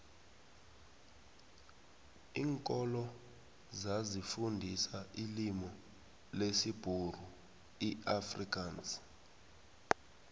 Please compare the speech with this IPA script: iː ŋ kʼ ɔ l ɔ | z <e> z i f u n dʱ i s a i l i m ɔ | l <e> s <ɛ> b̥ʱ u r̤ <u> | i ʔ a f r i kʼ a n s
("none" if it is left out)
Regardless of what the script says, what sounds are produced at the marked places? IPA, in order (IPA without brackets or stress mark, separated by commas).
a, e, i, u